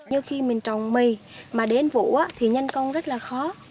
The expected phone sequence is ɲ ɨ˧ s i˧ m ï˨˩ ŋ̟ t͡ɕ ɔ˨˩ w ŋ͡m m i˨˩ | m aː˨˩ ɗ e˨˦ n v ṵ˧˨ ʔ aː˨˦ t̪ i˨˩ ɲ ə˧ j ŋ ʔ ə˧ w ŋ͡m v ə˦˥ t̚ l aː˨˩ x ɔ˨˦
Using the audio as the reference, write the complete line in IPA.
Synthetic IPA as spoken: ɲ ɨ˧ x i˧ m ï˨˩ ŋ̟ t͡ɕ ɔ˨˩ w ŋ͡m m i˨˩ | m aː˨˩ ɗ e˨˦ n v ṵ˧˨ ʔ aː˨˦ t̪ʰ i˨˩ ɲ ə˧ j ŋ k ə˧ w ŋ͡m z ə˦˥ t̚ l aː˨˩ x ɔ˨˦